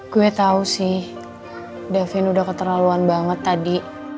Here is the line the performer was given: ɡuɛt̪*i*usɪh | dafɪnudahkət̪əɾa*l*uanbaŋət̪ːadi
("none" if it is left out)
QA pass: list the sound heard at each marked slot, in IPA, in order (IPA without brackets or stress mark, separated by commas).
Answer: a, l